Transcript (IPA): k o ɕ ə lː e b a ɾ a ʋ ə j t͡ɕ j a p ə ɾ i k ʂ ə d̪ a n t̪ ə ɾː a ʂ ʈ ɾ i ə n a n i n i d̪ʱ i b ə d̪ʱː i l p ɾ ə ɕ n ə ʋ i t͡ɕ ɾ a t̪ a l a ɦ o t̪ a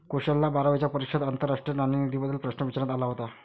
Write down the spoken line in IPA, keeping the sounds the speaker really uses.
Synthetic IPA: k o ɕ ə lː a b a ɾ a ʋ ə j t͡ɕ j a p ə ɾ i k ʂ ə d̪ a n t̪ ə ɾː a ʂ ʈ ɾ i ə n a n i n i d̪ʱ i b ə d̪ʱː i l p ɾ ə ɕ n ə ʋ i t͡ɕ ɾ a t̪ a l a ɦ o t̪ a